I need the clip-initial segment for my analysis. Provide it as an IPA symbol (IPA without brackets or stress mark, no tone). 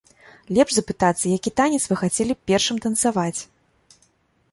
lʲ